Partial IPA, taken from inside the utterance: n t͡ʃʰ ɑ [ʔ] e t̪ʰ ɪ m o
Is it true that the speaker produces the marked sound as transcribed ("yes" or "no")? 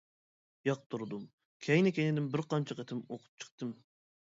no